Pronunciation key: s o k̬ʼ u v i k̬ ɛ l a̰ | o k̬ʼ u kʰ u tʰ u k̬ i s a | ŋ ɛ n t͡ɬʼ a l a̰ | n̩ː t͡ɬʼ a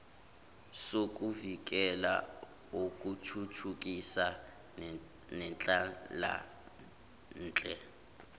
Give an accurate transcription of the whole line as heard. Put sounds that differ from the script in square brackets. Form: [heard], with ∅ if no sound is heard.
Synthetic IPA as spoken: s o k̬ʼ u v i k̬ ɛ l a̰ | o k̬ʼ u [tʰ] u tʰ u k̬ i s a | [n] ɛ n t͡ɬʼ a l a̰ | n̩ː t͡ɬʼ [ɛ]